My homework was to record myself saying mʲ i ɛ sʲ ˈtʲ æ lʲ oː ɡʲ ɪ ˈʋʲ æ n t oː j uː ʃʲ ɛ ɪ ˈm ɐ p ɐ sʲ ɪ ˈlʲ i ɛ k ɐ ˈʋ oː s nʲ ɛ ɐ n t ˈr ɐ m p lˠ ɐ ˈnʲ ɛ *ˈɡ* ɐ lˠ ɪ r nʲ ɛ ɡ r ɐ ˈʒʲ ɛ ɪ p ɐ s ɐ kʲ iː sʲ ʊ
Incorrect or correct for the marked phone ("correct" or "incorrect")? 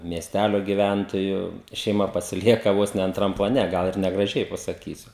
correct